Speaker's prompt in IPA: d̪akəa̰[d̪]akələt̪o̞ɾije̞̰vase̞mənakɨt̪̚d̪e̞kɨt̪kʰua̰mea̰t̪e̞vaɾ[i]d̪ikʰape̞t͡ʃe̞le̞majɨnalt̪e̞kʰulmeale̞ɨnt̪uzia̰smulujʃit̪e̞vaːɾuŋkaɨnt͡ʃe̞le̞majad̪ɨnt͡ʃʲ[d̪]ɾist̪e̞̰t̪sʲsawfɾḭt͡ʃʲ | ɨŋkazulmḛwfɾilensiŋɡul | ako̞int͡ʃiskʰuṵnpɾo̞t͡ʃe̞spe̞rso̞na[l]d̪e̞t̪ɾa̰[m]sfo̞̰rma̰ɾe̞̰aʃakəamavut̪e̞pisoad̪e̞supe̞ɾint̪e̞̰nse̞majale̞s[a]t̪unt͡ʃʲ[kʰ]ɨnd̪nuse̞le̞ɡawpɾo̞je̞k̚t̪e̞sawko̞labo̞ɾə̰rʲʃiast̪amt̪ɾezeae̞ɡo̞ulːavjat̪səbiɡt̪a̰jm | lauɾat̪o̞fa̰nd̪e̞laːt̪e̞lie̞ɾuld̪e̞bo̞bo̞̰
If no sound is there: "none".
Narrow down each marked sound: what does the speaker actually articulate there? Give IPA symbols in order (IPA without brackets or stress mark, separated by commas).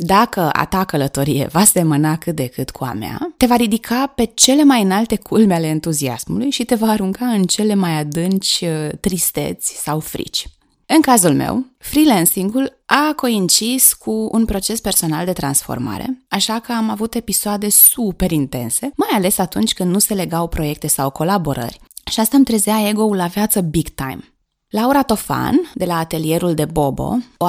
t̪, i, t̪, l, n, a, k